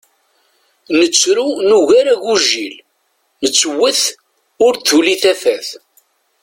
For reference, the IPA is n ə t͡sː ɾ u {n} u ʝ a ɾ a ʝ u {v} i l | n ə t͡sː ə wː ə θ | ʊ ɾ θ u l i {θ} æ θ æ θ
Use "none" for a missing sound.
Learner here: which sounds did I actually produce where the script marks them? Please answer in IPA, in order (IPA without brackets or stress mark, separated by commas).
n, ʒ, θ